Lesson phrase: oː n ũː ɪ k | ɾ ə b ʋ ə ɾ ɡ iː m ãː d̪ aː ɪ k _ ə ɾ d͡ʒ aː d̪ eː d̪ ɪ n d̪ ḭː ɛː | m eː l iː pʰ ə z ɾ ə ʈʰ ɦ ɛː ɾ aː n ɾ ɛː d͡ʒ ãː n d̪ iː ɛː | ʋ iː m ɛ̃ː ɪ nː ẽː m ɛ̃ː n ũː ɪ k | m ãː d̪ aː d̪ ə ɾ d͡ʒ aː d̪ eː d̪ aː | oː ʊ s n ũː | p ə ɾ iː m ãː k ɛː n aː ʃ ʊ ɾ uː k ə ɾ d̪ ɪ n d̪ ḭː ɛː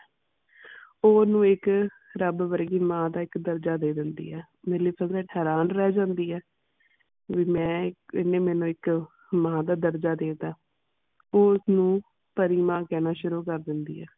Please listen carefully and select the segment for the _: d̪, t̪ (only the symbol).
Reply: d̪